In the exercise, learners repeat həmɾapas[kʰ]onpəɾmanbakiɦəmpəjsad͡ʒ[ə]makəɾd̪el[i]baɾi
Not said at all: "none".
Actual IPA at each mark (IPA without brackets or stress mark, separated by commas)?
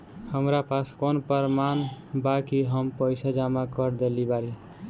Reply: k, a, i